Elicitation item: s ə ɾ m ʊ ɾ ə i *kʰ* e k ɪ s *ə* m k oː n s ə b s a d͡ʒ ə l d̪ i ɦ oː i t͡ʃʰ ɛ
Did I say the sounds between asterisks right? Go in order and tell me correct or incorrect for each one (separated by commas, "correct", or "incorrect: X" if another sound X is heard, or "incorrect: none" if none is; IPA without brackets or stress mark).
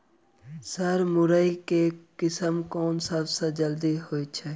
incorrect: k, correct